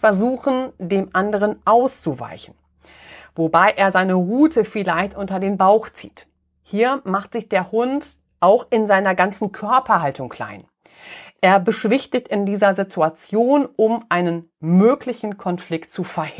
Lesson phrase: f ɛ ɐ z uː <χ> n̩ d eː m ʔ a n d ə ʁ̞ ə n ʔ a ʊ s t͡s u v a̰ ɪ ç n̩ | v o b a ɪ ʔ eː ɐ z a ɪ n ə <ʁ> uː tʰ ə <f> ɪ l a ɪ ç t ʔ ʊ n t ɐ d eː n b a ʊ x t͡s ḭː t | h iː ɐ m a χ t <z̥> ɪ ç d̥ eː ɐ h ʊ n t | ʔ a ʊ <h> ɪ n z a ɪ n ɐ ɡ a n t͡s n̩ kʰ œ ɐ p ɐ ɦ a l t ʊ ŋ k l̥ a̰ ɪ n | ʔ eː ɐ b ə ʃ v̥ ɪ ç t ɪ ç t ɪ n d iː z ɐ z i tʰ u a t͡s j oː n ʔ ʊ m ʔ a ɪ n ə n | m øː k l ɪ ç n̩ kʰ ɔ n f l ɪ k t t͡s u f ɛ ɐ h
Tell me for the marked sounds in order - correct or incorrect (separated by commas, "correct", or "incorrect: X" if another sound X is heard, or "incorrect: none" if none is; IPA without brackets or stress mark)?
incorrect: x, correct, correct, correct, incorrect: x